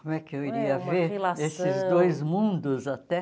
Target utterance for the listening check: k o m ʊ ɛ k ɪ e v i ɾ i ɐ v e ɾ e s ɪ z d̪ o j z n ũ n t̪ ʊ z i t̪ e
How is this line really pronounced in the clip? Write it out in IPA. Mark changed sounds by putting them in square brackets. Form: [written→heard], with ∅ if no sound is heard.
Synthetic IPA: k o m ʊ ɛ k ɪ e [v→w] i ɾ i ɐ v e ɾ e s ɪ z d̪ o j z [n→m] ũ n [t̪→d̪] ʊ z [i→a] t̪ [e→ɛ]